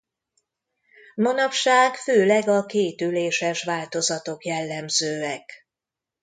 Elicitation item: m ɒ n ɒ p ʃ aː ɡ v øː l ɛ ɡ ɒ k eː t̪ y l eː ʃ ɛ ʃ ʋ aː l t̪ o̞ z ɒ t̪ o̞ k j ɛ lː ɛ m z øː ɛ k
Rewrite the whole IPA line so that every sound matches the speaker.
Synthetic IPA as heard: m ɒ n ɒ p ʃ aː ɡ f øː l ɛ ɡ ɒ k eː t̪ y l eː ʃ ɛ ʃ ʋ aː l t̪ o̞ z ɒ t̪ o̞ k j ɛ lː ɛ m z øː ɛ k